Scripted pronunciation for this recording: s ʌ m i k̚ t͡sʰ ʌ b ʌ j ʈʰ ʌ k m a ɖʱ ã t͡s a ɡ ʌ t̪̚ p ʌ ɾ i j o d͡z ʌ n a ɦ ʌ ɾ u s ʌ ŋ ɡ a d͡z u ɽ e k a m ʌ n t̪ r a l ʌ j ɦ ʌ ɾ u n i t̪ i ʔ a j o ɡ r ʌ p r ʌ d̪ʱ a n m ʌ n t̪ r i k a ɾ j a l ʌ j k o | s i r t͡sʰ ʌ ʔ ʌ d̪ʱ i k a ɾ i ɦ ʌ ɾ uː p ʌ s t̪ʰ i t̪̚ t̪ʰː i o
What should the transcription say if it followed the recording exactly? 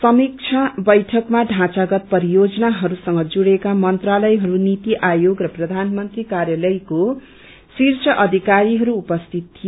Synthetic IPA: s ʌ m i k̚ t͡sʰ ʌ b ʌ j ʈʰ ʌ k m a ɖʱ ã t͡s a ɡ ʌ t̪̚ p ʌ ɾ i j o d͡z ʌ n a ɦ ʌ ɾ u s ʌ ŋ ɡ ʌ d͡z u ɽ e k a m ʌ n t̪ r a l ʌ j ɦ ʌ ɾ u n i t̪ i ʔ a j o ɡ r ʌ p r ʌ d̪ʱ a n m ʌ n t̪ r i k a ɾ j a l ʌ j k o | s i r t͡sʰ ʌ ʔ ʌ d̪ʱ i k a ɾ i ɦ ʌ ɾ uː p ʌ s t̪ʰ i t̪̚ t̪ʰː i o